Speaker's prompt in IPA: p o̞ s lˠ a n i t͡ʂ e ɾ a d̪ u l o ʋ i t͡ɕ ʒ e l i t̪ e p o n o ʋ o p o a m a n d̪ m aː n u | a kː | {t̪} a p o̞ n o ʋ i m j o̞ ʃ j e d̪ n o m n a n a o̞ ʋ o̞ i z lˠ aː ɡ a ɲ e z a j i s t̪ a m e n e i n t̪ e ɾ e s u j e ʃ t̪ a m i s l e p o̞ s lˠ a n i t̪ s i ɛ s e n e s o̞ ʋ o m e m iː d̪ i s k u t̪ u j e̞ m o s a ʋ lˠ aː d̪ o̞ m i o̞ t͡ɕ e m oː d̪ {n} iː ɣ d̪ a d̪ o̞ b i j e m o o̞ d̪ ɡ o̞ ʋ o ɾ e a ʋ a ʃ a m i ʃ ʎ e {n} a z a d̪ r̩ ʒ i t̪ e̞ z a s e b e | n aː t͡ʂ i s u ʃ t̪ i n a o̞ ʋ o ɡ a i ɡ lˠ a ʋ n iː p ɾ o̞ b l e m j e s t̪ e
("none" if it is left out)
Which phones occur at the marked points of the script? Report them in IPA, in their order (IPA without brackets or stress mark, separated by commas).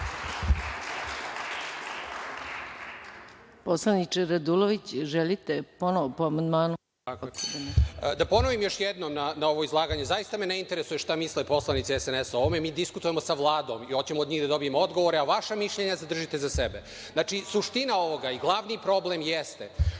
d̪, ɲ, ɲ